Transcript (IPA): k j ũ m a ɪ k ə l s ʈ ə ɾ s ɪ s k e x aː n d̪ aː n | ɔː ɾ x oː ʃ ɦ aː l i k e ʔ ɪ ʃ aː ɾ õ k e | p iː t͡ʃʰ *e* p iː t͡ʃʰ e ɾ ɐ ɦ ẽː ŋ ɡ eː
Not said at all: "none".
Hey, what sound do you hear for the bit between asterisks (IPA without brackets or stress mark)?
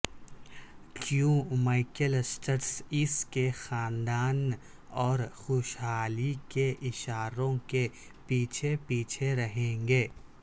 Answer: e